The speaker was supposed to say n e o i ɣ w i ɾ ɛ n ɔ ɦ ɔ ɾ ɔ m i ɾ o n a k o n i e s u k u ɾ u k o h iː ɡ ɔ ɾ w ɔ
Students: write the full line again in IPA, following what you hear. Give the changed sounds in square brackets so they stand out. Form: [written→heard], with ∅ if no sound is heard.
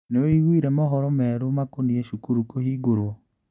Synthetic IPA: n e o i ɣ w i ɾ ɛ [n→m] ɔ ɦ ɔ ɾ ɔ m [i→ɛ] ɾ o [n→m] a k o n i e [s→ʃ] u k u ɾ u k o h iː ɡ [ɔ→o] ɾ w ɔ